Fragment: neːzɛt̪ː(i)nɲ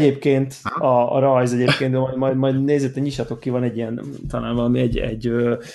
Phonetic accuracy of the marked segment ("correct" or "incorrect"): incorrect